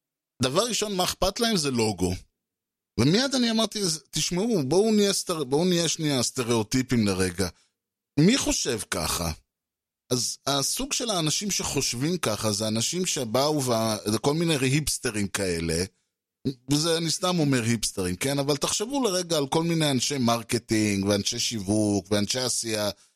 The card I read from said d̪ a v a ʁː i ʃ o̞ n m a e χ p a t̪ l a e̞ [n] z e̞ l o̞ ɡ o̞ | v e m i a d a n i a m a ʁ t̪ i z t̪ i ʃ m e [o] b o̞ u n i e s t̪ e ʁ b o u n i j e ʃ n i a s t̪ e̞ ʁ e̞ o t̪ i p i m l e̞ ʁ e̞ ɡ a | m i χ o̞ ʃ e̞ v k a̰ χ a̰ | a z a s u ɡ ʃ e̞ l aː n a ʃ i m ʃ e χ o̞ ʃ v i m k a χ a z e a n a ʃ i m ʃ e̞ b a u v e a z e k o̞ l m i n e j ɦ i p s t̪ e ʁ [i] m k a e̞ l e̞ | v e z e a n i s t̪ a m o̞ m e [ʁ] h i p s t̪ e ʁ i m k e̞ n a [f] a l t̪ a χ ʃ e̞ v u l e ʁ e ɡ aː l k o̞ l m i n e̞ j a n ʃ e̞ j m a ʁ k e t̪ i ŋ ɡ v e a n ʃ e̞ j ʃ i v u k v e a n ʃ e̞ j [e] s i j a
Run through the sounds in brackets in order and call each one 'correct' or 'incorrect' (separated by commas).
incorrect, incorrect, correct, correct, incorrect, incorrect